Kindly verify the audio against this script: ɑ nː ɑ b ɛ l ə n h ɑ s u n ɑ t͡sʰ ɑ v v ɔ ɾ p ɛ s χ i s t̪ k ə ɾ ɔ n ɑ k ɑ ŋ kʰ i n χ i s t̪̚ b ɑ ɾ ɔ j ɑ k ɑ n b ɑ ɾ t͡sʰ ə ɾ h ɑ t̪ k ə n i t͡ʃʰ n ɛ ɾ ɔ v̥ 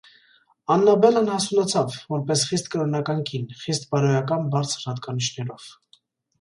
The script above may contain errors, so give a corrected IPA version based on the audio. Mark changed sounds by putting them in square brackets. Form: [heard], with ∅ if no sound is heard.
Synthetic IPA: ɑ nː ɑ b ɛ l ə n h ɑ s u n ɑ t͡sʰ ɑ v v ɔ ɾ p ɛ s χ i s t̪ k ə ɾ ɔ n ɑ k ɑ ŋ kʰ i n χ i s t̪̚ b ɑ ɾ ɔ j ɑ k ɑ n b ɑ ɾ t͡sʰ ə ɾ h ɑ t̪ k [ɑ] n i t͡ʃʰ n ɛ ɾ ɔ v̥